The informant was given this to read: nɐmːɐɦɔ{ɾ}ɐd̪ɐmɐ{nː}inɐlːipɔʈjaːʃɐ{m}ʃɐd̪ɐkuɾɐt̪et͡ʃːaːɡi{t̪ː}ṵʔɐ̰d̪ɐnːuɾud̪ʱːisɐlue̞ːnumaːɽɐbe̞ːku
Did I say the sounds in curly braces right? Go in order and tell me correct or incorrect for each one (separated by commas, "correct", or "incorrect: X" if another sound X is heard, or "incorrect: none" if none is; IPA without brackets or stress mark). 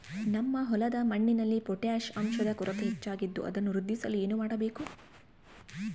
incorrect: l, incorrect: ɳː, correct, incorrect: d̪ː